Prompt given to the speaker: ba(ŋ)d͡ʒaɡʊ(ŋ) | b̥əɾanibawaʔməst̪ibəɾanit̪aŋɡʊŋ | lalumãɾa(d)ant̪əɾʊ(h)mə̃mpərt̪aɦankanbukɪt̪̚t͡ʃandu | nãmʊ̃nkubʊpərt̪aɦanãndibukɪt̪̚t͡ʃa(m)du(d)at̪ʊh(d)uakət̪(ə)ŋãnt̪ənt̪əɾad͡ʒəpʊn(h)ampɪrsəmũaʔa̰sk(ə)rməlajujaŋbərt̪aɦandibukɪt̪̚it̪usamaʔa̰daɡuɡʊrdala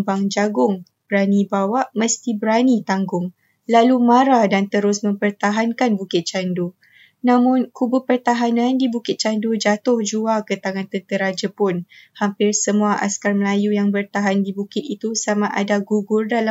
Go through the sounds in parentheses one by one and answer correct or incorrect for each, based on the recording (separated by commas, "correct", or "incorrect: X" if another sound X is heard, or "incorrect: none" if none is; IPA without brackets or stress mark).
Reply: correct, correct, correct, incorrect: s, incorrect: n, incorrect: d͡ʒ, incorrect: d͡ʒ, incorrect: a, correct, incorrect: a